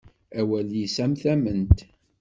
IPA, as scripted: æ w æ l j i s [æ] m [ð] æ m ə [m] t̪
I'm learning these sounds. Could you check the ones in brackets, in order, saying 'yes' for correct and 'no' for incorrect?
yes, no, no

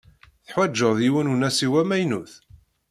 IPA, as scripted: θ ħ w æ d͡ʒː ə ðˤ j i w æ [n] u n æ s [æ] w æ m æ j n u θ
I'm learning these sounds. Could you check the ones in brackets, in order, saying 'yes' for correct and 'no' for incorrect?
yes, no

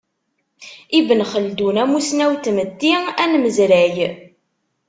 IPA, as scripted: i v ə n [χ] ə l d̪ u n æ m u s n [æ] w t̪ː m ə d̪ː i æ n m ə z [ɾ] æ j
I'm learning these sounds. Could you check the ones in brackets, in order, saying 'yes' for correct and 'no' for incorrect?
yes, yes, yes

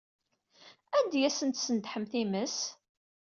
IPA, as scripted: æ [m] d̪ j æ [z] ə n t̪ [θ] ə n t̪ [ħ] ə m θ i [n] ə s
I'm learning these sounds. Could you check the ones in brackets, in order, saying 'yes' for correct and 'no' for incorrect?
no, no, no, yes, no

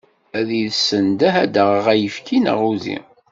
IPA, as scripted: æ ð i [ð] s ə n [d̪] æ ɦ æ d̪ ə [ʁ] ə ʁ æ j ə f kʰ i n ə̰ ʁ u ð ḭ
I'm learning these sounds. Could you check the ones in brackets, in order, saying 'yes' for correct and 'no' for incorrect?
yes, yes, yes

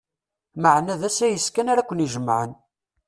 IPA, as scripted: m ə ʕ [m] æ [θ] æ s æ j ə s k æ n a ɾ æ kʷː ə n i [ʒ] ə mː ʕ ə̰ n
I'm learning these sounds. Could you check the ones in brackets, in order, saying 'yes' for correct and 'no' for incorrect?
no, no, yes

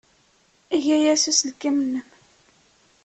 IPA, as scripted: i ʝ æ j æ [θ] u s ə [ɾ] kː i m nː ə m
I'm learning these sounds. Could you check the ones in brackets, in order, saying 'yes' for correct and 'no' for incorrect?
no, no

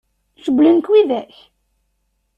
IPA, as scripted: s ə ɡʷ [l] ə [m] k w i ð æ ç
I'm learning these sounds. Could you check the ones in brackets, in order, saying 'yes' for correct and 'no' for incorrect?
yes, no

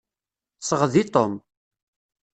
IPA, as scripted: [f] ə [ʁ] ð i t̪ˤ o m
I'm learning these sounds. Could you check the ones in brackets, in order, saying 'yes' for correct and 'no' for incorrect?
no, yes

